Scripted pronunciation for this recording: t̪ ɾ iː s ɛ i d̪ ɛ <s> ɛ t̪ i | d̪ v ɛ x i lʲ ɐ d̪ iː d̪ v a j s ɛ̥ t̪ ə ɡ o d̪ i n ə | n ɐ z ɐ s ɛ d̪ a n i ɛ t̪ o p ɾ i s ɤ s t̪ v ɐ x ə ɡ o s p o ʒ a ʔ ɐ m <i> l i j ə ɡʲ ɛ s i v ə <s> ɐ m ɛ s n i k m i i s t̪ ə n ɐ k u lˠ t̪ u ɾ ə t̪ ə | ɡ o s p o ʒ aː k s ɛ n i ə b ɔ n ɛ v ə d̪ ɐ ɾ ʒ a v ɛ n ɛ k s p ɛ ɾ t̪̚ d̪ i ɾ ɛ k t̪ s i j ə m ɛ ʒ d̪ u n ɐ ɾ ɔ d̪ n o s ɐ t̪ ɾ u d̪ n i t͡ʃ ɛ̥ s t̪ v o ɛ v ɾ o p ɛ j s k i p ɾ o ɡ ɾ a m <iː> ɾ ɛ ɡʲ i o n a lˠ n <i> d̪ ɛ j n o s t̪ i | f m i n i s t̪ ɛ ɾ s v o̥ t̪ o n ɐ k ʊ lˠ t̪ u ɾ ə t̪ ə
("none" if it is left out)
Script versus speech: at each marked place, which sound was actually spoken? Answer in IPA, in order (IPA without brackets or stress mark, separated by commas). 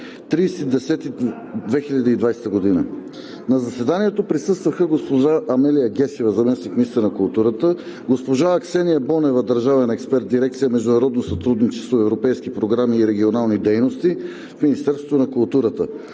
s, ɛ, z, iː, i